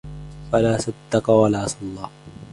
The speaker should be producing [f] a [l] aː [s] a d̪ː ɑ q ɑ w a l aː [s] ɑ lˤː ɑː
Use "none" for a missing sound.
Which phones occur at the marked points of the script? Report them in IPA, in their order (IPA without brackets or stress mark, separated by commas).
f, l, s, s